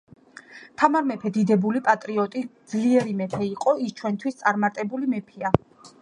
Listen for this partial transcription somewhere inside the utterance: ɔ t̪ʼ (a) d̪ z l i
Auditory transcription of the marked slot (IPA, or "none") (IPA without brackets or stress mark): i